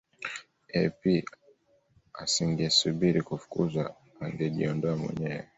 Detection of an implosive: present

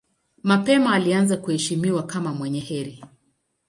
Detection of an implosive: absent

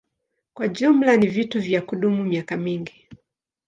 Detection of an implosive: present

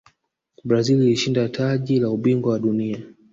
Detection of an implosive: present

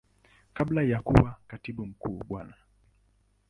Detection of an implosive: present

